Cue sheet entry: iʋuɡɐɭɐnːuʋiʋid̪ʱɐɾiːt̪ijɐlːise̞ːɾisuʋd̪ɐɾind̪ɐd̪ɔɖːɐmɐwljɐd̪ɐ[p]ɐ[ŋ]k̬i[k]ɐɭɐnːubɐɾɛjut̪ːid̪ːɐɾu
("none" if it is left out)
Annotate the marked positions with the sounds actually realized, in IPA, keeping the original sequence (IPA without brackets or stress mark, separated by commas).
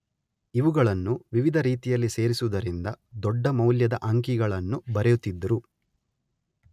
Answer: ʔ, ŋ, ɡ